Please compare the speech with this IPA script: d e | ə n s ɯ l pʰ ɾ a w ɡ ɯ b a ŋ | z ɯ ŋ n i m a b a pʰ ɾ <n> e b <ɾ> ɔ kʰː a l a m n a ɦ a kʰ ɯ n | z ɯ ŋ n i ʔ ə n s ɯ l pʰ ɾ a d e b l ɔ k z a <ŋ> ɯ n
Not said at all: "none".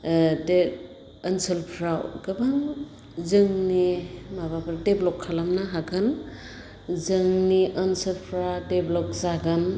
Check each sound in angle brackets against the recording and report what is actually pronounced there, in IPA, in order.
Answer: d, l, ɡ

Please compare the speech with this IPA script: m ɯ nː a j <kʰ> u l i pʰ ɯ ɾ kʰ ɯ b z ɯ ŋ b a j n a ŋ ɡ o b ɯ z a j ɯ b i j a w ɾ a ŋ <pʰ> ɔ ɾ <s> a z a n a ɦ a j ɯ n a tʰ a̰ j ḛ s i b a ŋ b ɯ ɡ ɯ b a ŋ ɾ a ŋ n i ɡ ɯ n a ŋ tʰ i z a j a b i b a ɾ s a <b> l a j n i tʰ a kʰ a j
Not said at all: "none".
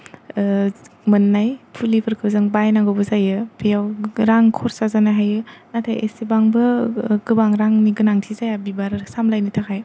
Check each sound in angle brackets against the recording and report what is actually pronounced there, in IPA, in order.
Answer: pʰ, kʰ, s, m

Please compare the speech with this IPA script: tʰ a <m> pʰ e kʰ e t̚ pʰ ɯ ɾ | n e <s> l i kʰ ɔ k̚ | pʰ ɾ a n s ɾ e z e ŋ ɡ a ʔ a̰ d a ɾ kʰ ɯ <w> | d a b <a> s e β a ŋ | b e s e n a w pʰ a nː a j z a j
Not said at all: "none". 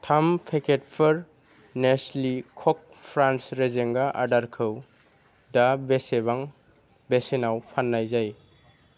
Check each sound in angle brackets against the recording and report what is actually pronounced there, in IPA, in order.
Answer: m, s, w, e

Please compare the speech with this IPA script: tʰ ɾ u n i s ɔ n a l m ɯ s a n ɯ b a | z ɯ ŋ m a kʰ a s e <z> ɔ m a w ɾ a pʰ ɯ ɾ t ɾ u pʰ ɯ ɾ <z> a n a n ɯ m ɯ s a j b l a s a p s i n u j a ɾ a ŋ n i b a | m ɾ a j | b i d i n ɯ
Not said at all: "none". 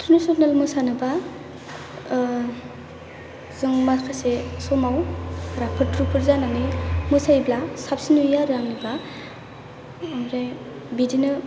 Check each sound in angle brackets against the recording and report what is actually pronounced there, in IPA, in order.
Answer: s, z

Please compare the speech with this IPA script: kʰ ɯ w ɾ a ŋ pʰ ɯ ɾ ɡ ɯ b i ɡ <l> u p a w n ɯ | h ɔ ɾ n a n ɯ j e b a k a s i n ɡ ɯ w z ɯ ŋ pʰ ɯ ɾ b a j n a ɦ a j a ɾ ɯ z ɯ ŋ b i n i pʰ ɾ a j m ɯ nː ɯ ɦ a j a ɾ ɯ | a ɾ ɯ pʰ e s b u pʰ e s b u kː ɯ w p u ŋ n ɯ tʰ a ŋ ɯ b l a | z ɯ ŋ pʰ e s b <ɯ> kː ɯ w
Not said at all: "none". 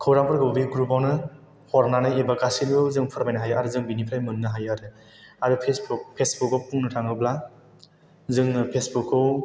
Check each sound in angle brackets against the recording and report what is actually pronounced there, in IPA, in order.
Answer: ɾ, u

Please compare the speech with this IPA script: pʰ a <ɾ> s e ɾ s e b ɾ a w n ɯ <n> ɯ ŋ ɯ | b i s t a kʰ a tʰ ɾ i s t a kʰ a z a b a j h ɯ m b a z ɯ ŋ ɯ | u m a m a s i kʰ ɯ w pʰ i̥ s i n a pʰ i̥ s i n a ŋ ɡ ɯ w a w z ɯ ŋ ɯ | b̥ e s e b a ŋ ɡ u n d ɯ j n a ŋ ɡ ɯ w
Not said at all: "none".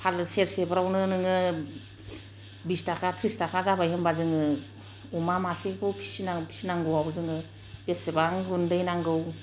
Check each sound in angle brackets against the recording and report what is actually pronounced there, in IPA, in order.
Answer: l, n

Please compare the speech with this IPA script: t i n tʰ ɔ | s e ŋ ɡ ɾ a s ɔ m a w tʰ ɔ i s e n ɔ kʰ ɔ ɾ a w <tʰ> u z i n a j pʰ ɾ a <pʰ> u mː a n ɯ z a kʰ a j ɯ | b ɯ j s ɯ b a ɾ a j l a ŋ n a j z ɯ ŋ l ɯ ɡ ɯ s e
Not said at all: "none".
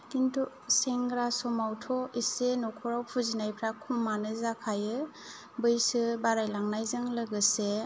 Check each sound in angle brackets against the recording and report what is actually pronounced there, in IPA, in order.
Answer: pʰ, kʰ

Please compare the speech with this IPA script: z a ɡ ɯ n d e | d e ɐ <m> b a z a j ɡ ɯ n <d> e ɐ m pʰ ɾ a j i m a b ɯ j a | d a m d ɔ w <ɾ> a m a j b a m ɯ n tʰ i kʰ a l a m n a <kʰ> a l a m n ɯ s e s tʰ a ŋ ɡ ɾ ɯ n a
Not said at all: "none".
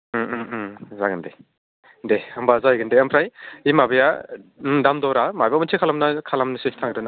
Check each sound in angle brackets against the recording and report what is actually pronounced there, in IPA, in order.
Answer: m, d, ɾ, kʰ

